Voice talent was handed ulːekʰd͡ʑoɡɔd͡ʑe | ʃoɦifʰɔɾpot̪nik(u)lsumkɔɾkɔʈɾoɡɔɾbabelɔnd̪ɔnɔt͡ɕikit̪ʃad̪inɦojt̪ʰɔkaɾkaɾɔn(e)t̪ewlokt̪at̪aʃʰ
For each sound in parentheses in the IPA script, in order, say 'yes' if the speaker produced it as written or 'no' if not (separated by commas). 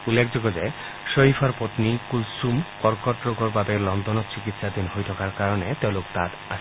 yes, yes